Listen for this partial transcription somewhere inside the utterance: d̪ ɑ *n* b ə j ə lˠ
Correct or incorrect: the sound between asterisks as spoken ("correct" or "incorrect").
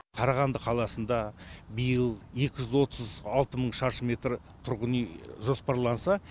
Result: incorrect